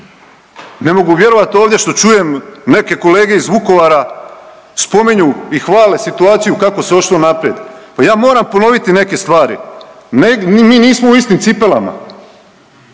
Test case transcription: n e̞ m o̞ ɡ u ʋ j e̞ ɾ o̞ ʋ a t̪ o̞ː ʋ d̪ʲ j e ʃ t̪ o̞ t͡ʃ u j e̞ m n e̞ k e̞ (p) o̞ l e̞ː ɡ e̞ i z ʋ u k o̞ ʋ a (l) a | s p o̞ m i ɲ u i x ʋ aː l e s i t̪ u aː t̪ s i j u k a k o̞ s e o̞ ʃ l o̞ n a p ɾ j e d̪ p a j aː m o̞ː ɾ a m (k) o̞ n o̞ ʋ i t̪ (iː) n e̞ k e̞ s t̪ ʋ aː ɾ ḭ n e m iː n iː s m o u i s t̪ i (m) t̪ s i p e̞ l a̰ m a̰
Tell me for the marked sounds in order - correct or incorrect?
incorrect, incorrect, incorrect, incorrect, correct

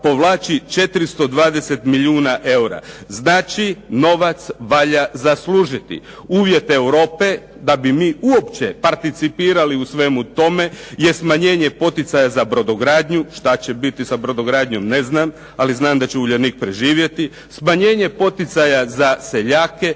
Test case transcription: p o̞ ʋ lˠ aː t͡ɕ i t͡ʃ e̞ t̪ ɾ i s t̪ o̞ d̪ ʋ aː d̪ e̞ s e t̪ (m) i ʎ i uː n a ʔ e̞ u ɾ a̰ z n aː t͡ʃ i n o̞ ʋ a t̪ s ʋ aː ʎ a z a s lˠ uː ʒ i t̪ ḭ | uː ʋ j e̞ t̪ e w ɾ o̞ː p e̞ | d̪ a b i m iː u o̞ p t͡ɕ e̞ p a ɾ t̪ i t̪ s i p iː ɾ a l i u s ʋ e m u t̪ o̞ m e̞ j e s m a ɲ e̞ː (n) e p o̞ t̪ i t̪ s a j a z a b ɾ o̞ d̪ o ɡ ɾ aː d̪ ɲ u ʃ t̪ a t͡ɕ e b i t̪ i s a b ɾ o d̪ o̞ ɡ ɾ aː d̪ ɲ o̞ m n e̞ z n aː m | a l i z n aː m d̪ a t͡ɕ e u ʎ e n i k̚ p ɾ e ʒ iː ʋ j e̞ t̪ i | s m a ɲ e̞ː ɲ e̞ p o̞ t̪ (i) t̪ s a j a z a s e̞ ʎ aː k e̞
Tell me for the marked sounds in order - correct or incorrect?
correct, incorrect, correct

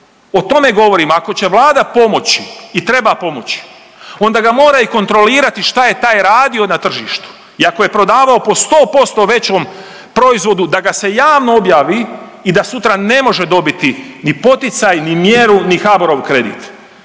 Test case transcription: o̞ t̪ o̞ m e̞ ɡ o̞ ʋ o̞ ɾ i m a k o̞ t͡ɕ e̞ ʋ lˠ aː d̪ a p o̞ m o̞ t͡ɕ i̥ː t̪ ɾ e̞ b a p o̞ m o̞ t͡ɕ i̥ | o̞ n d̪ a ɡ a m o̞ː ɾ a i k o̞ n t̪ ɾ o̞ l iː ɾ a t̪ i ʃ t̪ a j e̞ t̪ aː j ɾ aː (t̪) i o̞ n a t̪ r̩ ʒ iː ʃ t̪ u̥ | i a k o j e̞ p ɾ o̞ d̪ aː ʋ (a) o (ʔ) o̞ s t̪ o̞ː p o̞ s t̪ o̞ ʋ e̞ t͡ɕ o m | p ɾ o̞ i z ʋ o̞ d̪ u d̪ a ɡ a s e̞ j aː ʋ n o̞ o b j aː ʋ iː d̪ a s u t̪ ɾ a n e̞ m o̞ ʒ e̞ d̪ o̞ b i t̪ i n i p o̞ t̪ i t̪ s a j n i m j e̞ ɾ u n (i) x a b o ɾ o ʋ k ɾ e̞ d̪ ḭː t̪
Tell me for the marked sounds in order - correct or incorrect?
incorrect, correct, incorrect, correct

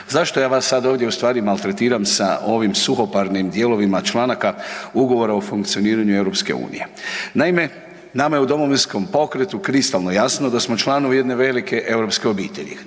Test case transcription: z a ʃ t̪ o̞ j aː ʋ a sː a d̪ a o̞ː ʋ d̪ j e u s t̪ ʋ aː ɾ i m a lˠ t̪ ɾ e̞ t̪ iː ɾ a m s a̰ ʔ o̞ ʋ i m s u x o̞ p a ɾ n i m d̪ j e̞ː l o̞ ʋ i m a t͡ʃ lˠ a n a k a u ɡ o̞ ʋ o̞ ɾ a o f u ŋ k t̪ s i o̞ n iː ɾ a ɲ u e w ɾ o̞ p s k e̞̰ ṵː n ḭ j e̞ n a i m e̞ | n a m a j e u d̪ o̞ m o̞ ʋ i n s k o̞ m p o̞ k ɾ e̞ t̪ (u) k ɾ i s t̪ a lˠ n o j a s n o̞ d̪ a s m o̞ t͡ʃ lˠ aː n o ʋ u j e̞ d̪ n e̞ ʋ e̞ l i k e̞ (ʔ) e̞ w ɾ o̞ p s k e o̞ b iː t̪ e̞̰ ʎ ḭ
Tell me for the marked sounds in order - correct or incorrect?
correct, correct

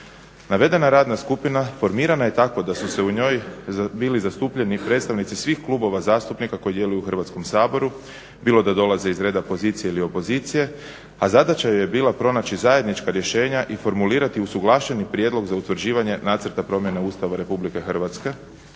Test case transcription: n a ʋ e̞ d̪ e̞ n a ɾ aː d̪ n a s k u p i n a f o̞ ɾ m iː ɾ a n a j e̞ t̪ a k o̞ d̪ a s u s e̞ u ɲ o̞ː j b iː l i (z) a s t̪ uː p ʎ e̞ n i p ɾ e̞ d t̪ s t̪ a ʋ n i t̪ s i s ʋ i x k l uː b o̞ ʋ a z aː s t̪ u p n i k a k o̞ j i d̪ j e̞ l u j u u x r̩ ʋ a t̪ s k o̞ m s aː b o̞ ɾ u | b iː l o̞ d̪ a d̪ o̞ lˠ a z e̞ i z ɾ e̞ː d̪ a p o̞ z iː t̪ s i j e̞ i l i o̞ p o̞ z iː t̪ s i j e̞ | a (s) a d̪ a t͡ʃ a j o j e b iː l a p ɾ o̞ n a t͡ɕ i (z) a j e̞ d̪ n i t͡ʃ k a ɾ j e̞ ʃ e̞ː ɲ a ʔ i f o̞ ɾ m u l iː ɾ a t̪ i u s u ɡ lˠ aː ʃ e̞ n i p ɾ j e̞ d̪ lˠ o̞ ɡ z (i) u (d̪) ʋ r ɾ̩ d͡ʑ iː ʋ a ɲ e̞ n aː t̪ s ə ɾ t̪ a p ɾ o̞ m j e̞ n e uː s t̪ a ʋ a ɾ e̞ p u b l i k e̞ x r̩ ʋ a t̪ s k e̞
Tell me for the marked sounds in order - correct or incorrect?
correct, incorrect, correct, incorrect, incorrect

